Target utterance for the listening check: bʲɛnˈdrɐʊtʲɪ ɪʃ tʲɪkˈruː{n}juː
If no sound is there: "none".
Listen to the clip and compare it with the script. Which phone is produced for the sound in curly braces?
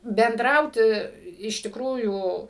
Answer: none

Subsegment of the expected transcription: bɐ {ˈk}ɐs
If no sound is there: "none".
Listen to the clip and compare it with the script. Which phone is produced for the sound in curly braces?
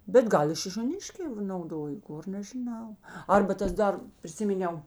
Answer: t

